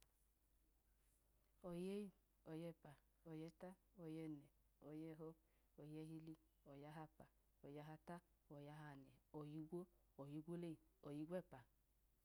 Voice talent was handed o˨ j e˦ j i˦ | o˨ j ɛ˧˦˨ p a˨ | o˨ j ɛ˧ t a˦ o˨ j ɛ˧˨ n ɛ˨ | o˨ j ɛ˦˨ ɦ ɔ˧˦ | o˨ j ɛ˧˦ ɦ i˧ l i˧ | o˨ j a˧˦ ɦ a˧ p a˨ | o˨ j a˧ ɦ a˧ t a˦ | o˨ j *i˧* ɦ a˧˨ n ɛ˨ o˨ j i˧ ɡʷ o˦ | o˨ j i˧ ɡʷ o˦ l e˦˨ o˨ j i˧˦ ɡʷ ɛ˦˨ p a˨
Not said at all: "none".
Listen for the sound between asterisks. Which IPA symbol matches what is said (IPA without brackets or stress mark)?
a˧